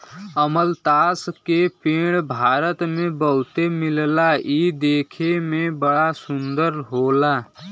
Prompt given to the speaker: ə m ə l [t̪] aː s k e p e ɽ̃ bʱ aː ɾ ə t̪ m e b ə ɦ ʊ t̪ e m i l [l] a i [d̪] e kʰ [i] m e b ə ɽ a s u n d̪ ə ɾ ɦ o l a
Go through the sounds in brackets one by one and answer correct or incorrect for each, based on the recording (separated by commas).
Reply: correct, correct, correct, incorrect